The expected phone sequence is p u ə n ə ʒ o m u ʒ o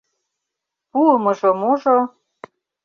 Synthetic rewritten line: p u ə m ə ʒ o m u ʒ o